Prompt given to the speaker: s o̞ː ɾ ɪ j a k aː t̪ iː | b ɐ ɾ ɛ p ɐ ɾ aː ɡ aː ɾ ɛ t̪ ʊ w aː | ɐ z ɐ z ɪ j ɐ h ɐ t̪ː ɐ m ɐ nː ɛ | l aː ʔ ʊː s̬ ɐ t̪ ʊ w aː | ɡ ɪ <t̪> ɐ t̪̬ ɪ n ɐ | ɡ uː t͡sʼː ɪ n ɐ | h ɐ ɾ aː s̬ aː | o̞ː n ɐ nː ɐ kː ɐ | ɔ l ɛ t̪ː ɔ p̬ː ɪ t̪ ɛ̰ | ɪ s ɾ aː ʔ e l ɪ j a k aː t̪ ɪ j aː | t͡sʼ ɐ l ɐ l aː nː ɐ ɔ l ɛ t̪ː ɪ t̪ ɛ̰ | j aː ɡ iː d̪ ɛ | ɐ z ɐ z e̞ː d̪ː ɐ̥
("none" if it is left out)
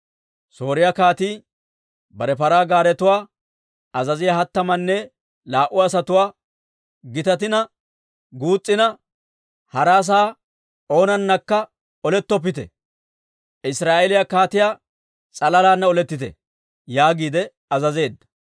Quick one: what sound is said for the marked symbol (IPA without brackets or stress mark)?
t̪